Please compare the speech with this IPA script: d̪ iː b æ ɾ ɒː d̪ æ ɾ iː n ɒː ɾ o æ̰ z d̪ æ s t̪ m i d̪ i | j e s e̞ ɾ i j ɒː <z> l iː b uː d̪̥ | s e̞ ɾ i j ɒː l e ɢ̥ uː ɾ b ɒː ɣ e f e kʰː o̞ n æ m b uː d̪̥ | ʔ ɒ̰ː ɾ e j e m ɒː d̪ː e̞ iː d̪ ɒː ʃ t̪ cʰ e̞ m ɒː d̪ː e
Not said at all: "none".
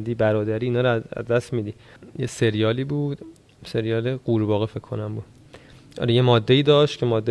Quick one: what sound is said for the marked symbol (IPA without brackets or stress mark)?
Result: none